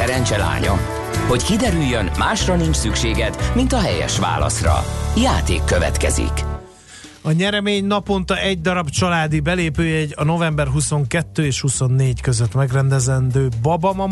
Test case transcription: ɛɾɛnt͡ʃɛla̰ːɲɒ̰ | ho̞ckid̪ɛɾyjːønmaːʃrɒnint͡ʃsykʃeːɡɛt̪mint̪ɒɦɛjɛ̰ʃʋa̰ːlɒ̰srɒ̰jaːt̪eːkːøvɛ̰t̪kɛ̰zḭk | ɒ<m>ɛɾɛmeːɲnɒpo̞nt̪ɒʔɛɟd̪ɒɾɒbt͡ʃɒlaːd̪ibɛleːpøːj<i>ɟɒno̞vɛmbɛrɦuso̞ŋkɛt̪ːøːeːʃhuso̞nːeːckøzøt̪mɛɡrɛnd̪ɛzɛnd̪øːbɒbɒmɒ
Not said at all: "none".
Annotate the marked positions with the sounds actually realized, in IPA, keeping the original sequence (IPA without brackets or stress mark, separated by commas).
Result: ɲ, ɛ